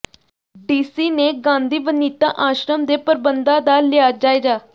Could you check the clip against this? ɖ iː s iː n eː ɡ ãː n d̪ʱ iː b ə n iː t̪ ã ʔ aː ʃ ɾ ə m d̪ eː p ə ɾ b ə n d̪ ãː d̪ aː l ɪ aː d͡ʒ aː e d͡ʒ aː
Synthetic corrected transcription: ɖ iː s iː n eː ɡ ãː n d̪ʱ iː b ə n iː t̪ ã ʔ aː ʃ ɾ ə m d̪ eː p ə ɾ b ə n d̪ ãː d̪ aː l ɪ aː d͡ʒ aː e d͡ʒ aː